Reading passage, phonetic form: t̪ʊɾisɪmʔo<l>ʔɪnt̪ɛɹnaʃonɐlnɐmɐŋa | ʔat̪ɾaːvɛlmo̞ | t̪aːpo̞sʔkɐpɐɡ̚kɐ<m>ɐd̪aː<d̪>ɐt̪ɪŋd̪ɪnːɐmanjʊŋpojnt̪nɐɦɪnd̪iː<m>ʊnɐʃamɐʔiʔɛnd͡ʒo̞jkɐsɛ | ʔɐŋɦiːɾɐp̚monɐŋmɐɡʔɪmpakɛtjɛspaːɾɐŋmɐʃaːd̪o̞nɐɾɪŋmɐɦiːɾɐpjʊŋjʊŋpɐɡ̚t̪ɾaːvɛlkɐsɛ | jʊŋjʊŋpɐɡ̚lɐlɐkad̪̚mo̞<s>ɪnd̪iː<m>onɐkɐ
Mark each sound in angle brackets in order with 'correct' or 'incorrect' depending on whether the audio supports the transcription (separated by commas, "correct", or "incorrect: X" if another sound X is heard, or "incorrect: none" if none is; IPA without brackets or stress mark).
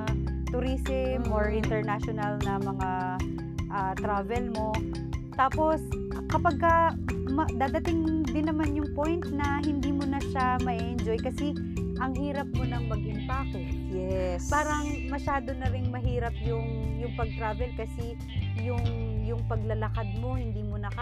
incorrect: ɹ, correct, correct, correct, incorrect: h, correct